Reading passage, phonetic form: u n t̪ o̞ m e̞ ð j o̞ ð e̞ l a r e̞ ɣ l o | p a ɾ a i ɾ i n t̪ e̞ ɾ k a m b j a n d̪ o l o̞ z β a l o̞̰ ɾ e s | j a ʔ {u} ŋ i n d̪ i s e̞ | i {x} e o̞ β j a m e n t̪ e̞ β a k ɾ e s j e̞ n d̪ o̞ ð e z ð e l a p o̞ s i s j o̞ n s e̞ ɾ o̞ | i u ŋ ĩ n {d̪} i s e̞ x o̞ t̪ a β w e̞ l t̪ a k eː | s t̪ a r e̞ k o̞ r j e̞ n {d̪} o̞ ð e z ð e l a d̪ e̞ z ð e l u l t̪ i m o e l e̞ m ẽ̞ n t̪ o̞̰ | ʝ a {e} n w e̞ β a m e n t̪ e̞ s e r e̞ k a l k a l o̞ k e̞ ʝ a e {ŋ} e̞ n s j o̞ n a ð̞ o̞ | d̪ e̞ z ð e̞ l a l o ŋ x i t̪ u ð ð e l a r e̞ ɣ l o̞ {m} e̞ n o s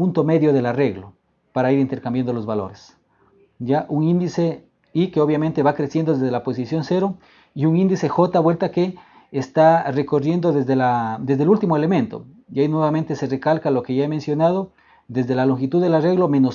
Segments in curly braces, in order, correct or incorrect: correct, incorrect: k, correct, correct, incorrect: i, incorrect: m, correct

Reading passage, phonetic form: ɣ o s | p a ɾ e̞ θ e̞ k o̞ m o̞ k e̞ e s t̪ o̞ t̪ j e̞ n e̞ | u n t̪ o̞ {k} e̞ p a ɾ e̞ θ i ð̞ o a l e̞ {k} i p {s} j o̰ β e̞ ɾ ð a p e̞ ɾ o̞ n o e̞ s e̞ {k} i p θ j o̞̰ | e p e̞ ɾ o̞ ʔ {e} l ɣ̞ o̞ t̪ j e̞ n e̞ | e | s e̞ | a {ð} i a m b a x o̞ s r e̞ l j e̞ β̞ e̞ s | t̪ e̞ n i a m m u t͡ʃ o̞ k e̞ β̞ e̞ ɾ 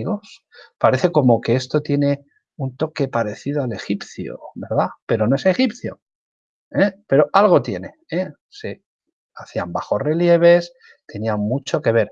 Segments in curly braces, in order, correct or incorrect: correct, incorrect: x, incorrect: θ, incorrect: x, incorrect: a, incorrect: θ

